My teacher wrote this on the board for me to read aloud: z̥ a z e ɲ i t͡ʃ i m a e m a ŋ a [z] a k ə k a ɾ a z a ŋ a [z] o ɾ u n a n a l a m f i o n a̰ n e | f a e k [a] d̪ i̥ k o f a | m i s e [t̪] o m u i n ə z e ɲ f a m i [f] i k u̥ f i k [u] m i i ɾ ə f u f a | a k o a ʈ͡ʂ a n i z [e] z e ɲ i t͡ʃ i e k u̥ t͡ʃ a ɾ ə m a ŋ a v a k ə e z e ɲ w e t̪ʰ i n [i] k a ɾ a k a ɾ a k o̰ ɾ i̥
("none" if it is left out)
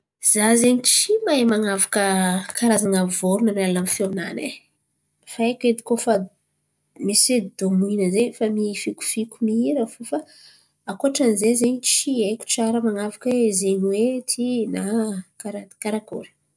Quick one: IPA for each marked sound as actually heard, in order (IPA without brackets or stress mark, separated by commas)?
v, v, e, d̪, f, u, e, a